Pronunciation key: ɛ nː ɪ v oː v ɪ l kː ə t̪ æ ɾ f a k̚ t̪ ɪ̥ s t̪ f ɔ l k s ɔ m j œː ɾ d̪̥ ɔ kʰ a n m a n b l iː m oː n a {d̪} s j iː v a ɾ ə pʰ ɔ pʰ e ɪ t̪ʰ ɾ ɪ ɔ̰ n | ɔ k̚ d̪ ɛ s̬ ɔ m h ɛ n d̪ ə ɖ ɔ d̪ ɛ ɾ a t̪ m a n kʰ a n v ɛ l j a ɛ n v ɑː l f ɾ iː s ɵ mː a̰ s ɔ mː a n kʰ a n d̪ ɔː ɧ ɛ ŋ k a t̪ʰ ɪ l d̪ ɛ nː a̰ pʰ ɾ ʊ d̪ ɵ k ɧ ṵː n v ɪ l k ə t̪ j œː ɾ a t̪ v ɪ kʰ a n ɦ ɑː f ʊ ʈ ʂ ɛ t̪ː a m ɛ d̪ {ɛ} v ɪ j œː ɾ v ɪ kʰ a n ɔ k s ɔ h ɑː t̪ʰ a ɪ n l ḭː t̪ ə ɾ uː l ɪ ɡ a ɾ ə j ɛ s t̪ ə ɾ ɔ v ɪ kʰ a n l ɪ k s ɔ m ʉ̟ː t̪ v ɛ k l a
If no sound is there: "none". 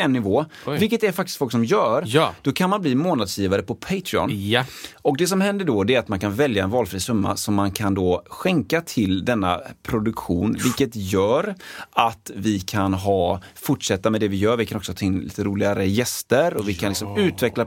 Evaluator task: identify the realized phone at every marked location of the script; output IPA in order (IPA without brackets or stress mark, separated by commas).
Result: d̪, ɛ